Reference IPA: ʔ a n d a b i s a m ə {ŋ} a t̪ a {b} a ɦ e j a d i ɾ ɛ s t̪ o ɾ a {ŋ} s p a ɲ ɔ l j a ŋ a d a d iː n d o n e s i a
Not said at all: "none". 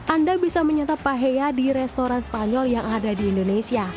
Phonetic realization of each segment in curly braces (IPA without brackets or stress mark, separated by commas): ɲ, p, n